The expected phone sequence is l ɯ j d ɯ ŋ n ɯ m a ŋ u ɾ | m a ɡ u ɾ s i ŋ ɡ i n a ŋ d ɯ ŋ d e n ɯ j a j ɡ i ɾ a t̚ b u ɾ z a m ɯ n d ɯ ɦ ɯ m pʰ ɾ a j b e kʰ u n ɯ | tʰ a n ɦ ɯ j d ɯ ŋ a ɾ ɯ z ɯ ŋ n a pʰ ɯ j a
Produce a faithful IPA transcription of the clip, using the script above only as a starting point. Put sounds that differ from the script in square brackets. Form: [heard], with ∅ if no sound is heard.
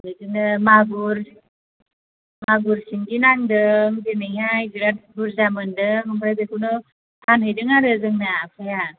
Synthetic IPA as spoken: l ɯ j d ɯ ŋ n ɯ m a [ɡ] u ɾ | m a ɡ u ɾ s i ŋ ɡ i n a ŋ d ɯ ŋ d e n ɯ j a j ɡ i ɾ a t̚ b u ɾ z a m ɯ n d ɯ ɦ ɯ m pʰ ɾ a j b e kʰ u n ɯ | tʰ a n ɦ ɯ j d ɯ ŋ a ɾ ɯ z ɯ ŋ n a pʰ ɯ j a

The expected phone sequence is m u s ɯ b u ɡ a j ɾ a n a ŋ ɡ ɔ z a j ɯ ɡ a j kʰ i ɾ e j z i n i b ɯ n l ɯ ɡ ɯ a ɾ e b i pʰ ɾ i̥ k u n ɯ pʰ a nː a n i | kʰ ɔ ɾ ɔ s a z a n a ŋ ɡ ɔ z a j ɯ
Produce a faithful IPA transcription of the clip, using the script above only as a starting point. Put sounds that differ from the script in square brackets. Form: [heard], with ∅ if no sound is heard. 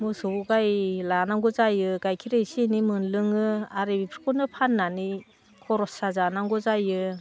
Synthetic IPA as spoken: m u s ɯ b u ɡ a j [l] a n a ŋ ɡ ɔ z a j ɯ ɡ a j kʰ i ɾ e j [s] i n i [m] ɯ n l ɯ [ŋ] ɯ a ɾ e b i pʰ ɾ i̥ k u n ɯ pʰ a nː a n i | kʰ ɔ ɾ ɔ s a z a n a ŋ ɡ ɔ z a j ɯ

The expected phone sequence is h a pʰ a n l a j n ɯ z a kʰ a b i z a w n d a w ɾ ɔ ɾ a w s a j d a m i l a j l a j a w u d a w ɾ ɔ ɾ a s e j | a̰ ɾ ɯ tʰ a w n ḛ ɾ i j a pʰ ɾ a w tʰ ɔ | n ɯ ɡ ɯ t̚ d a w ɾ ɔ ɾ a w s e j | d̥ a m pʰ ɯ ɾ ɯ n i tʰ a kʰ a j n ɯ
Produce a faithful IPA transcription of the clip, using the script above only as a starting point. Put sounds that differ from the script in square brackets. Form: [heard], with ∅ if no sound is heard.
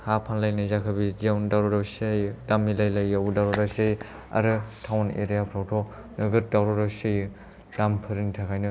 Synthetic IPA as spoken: h a pʰ a n l a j n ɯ z a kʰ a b i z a w n d a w ɾ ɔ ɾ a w s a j d a m i l a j l a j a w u d a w ɾ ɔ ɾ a s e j | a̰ ɾ ɯ tʰ a w n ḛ ɾ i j a pʰ ɾ a w tʰ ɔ | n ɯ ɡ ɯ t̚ d a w ɾ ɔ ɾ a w s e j | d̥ a m pʰ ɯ ɾ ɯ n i tʰ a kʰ a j n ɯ

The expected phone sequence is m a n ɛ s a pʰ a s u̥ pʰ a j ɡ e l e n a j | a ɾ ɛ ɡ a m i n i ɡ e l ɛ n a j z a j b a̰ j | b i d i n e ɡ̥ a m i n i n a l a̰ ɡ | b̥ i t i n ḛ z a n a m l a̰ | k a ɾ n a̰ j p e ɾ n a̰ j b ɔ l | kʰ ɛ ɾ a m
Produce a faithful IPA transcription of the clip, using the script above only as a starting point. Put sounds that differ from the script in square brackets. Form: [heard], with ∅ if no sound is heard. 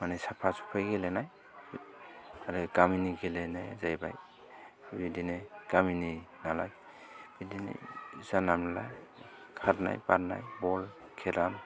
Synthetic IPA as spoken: m a n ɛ s a pʰ a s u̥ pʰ a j ɡ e l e n a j | a ɾ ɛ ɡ a m i n i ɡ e l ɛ n a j z a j b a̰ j | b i d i n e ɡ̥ a m i n i n a l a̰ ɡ | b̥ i [d] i n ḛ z a n a m l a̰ | [kʰ] a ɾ n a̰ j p [a] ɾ n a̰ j b ɔ l | kʰ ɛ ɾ a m

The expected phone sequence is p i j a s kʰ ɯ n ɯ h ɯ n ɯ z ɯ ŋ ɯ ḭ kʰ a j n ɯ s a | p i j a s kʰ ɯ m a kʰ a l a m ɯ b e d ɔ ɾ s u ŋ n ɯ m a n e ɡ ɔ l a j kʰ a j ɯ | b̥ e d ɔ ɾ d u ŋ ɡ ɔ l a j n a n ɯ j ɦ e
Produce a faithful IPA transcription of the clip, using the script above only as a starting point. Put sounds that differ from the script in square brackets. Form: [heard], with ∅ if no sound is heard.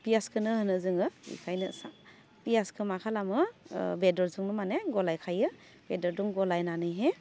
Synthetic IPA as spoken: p i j a s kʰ ɯ n ɯ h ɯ n ɯ z ɯ ŋ ɯ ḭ kʰ a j n ɯ s a | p i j a s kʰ ɯ m a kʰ a l a m ɯ b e d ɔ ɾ [z] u ŋ n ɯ m a n e ɡ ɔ l a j kʰ a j ɯ | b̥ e d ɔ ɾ d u ŋ ɡ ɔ l a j n a n ɯ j ɦ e

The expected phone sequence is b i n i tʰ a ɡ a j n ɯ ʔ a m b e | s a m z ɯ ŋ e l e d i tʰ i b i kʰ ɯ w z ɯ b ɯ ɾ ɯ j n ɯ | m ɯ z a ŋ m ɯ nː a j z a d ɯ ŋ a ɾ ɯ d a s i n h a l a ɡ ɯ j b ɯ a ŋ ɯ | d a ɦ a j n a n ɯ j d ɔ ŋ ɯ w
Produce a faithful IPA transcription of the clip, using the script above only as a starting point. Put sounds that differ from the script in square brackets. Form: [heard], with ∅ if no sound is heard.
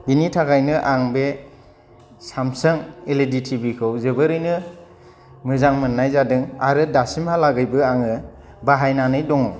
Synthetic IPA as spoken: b i n i tʰ a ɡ a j n ɯ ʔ a [ŋ] b e | s a m [s] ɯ ŋ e l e d i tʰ i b i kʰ ɯ w z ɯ b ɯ ɾ ɯ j n ɯ | m ɯ z a ŋ m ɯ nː a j z a d ɯ ŋ a ɾ ɯ d a s i [m] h a l a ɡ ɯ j b ɯ a ŋ ɯ | [b] a ɦ a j n a n ɯ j d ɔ ŋ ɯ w

